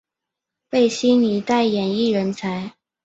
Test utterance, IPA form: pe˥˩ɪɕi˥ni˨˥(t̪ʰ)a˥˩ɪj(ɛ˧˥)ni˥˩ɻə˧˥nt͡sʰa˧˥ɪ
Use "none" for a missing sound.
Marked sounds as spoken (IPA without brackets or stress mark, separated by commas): t̪, ɛ˨˩